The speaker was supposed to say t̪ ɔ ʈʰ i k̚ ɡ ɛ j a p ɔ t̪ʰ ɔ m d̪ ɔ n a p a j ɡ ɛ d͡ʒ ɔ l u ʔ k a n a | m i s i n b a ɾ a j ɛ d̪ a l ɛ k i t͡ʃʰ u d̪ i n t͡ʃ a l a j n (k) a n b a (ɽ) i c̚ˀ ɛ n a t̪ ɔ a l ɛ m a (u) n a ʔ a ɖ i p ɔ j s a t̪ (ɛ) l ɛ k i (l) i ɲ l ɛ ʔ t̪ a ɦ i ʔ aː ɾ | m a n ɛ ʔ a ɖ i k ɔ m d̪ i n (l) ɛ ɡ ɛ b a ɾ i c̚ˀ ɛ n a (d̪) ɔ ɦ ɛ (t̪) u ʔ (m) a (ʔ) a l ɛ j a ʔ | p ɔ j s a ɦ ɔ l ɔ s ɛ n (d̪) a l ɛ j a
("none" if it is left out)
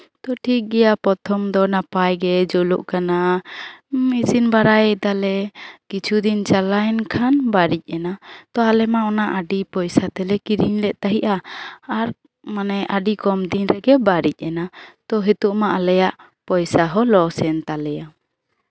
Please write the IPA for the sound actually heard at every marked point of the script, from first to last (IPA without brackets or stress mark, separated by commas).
kʰ, ɾ, ɔ, ɛ, ɾ, ɾ, t̪, t̪, m, ʔ, t̪